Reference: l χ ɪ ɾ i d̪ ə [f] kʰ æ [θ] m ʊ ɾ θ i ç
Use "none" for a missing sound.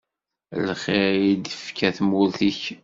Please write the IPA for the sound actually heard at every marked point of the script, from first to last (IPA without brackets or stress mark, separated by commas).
f, θ